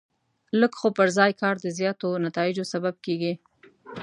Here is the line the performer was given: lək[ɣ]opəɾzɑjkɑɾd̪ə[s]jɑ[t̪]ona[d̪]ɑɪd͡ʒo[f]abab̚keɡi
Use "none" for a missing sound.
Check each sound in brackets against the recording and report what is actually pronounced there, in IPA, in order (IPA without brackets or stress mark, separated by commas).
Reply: x, z, t̪, t̪, s